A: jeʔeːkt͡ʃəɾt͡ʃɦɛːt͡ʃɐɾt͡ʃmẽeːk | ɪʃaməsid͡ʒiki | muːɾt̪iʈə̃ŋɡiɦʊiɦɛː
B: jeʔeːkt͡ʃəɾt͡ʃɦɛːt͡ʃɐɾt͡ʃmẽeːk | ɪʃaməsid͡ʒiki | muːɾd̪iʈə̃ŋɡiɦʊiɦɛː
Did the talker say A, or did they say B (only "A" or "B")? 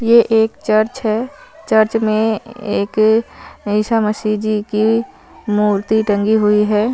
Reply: A